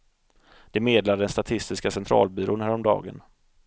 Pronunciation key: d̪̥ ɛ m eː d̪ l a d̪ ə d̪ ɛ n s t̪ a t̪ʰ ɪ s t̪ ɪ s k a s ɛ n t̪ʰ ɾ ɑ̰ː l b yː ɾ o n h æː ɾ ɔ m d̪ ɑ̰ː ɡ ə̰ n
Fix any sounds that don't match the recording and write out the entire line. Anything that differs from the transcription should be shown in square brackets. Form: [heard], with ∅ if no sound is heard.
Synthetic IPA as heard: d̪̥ ɛ m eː d̪ l a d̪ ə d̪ ɛ n s t̪ a t̪ʰ ɪ s t̪ ɪ s k a s ɛ n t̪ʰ ɾ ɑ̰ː l b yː ɾ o n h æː ɾ ɔ m d̪ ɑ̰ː ɡ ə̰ n